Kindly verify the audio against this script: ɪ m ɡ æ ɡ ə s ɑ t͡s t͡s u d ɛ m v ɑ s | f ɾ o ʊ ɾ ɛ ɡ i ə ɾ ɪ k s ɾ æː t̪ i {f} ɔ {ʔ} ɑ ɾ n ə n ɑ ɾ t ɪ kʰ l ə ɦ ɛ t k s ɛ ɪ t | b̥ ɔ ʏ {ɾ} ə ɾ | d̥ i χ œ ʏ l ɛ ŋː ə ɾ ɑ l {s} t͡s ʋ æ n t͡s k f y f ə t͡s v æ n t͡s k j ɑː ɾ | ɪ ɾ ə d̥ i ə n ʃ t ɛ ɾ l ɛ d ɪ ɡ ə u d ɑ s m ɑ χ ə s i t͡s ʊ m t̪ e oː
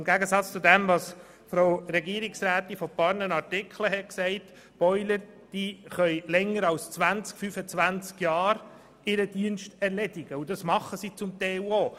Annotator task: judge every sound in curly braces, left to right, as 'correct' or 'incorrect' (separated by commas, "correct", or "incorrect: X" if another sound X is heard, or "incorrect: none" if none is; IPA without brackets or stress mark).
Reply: correct, incorrect: p, incorrect: l, correct